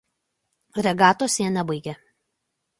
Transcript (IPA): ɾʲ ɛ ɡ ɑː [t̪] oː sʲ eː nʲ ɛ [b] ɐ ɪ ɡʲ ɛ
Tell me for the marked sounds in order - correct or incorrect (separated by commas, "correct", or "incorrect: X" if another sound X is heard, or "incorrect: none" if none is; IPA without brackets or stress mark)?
correct, correct